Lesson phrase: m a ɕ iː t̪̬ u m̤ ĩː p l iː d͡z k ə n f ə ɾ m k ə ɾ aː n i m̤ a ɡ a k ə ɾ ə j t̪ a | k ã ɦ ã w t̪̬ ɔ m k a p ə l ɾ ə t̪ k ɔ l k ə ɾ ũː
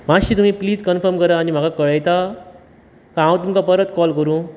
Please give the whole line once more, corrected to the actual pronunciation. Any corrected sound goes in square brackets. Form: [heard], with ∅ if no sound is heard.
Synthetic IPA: m a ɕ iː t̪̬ u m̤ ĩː p l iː d͡z k ə n f ə ɾ m k ə ɾ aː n i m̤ a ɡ a k ə [ɭ] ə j t̪ a | k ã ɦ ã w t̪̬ [u] m k a p ə [∅] ɾ ə t̪ k ɔ l k ə ɾ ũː